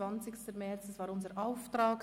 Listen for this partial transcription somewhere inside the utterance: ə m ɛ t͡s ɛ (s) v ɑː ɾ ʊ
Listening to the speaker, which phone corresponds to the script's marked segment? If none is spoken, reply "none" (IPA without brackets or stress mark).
s